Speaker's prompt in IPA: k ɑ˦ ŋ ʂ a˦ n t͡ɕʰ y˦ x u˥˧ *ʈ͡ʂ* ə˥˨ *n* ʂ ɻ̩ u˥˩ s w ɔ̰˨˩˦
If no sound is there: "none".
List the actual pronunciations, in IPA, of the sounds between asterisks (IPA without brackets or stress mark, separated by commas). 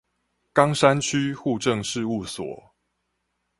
ʈ͡ʂ, ŋ